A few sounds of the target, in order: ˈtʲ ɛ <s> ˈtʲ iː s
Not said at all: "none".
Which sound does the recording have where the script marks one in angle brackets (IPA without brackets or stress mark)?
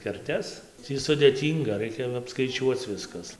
s